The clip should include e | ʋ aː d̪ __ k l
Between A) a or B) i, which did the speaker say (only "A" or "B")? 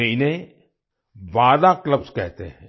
A